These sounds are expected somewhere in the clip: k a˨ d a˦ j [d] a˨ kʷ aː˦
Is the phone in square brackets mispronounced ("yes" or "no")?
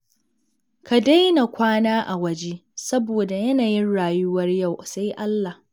yes